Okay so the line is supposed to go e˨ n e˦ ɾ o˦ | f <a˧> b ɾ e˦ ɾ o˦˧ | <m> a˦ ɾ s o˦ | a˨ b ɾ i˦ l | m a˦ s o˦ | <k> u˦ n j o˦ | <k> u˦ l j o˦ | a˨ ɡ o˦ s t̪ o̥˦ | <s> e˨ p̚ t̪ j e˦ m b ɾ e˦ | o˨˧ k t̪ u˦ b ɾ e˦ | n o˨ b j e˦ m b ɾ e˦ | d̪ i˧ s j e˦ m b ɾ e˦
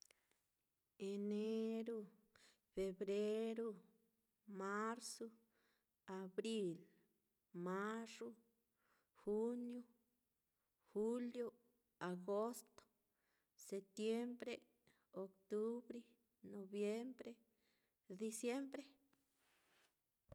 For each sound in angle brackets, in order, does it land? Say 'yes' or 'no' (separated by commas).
no, yes, no, no, yes